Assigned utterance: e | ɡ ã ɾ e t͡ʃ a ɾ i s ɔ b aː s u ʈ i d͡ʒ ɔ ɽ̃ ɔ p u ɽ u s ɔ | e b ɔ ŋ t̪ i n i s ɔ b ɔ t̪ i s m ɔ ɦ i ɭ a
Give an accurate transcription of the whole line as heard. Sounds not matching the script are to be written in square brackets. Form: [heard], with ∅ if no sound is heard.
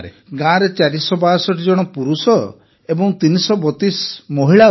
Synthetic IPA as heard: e | ɡ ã ɾ e t͡ʃ a ɾ i s ɔ b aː s [ɔ] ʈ i d͡ʒ ɔ ɽ̃ ɔ p u [ɾ] u s ɔ | e b ɔ ŋ t̪ i n i s ɔ b ɔ t̪ i s m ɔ ɦ i ɭ a

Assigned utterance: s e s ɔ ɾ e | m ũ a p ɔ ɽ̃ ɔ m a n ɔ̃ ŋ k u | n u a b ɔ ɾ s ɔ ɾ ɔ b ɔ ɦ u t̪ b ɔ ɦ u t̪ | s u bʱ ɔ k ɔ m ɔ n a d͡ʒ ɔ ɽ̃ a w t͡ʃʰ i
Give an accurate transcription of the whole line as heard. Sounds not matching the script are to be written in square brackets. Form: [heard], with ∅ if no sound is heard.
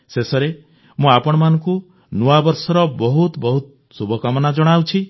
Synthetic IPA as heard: s e s ɔ ɾ e | m ũ a p ɔ ɽ̃ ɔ m a n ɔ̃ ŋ k u | n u a b ɔ ɾ s ɔ ɾ ɔ b ɔ ɦ u t̪ b ɔ ɦ u t̪ | s u bʱ ɔ k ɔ m ɔ n a d͡ʒ ɔ ɽ̃ a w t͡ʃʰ i

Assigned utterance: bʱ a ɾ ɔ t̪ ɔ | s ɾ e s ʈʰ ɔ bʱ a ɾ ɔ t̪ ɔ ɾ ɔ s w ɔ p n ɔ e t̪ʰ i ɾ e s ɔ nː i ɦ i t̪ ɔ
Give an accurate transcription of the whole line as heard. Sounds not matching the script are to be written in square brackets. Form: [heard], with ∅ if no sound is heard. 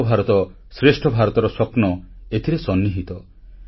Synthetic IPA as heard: bʱ a ɾ ɔ t̪ ɔ | s ɾ e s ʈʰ ɔ bʱ a ɾ ɔ t̪ ɔ ɾ ɔ s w ɔ p n ɔ e t̪ʰ i ɾ e s ɔ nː i ɦ i t̪ ɔ

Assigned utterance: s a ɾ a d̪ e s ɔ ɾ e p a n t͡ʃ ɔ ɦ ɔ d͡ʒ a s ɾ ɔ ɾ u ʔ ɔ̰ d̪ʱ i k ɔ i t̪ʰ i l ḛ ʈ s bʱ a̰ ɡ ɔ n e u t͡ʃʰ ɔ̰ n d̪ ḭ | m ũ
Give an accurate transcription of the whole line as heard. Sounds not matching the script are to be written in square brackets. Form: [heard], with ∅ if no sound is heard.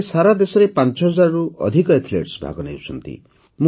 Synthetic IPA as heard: s a ɾ a d̪ e s ɔ ɾ e p a n t͡ʃ ɔ ɦ ɔ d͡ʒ a [∅] ɾ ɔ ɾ u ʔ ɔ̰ d̪ʱ i k ɔ [e] t̪ʰ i l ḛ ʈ s bʱ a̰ ɡ ɔ n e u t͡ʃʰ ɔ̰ n [t̪] ḭ | m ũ

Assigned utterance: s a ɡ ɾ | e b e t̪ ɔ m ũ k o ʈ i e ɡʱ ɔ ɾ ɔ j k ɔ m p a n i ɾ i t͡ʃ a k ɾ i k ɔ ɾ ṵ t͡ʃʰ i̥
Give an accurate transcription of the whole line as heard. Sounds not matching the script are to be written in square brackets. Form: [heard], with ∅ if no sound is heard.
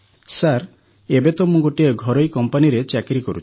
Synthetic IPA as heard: s a [∅] ɾ | e b e t̪ ɔ m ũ [ɡ] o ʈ i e ɡʱ ɔ ɾ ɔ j k ɔ m p a n i ɾ [e] t͡ʃ a k ɾ i k ɔ ɾ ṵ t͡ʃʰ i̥

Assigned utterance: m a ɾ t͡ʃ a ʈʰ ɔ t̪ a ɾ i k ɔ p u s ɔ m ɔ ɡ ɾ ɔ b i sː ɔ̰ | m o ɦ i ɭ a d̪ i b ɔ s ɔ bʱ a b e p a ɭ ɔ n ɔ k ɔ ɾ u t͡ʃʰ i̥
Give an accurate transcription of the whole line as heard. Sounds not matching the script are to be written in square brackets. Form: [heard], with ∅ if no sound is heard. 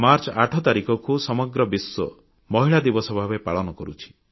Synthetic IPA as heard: m a ɾ t͡ʃ a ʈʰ ɔ t̪ a ɾ i k ɔ [k] u s ɔ m ɔ ɡ ɾ ɔ b i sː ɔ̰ | m [ɔ] ɦ i ɭ a d̪ i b ɔ s ɔ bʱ a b e p a ɭ ɔ n ɔ k ɔ ɾ u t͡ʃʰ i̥

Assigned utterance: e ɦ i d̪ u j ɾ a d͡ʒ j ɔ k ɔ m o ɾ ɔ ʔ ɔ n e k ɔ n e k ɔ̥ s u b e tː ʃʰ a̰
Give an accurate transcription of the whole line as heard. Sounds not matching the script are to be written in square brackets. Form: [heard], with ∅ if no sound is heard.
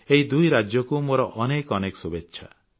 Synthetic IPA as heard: e ɦ i d̪ u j ɾ a d͡ʒ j ɔ k [u] m o ɾ ɔ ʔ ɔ n e k ɔ n e k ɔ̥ s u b e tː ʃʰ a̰

